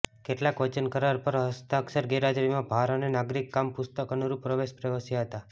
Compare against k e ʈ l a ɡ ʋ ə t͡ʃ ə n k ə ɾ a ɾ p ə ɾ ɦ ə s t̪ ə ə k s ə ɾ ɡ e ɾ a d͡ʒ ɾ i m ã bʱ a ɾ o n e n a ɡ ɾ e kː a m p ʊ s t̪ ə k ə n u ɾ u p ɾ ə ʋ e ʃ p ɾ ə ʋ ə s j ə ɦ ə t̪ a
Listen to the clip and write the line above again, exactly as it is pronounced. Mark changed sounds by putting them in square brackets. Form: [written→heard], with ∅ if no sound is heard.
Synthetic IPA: k e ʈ l a [ɡ→k] ʋ ə t͡ʃ ə n k ə ɾ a ɾ p ə ɾ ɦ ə s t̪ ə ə k s ə ɾ ɡ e ɾ a d͡ʒ ɾ i m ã bʱ a ɾ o n e n a ɡ ɾ [e→i] kː a m p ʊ s t̪ ə k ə n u ɾ u p ɾ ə ʋ e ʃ p ɾ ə ʋ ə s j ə ɦ ə t̪ a